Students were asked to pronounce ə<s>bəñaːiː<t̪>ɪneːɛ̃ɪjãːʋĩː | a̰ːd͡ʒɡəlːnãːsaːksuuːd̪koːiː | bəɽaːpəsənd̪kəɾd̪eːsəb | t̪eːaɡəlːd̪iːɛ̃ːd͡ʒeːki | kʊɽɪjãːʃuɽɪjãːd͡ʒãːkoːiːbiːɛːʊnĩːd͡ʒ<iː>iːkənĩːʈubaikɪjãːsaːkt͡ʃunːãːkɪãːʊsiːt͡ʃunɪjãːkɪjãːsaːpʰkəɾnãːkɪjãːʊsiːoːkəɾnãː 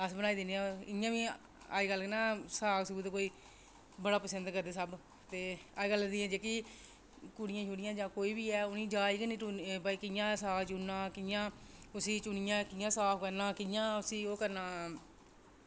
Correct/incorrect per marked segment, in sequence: correct, incorrect: d̪, incorrect: aː

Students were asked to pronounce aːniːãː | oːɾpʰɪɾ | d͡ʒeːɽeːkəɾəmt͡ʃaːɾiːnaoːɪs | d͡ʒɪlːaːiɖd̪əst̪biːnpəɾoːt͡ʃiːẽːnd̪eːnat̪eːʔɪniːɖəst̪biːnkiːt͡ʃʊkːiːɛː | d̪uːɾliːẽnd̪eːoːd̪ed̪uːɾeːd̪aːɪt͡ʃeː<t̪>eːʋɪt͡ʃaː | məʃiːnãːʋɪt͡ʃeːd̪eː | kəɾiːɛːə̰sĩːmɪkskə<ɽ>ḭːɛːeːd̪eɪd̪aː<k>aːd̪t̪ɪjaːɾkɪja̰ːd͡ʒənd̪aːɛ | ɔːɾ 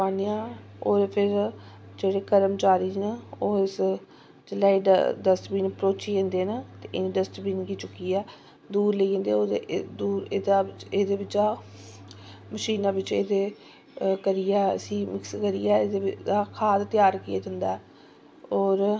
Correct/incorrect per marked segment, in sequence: incorrect: d̪, incorrect: ɾ, incorrect: kʰ

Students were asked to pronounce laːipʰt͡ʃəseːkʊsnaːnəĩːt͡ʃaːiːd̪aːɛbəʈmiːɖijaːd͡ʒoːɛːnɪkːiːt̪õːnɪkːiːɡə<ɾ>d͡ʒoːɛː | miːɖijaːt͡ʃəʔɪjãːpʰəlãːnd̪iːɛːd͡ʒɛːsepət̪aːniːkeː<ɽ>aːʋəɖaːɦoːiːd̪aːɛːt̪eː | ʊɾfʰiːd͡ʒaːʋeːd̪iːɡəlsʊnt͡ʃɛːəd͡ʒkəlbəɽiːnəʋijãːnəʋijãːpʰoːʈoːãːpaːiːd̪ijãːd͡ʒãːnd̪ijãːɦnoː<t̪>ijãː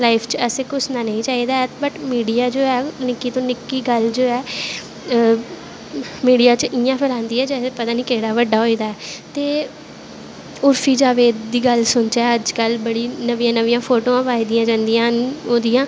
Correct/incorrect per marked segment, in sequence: incorrect: l, correct, incorrect: d̪

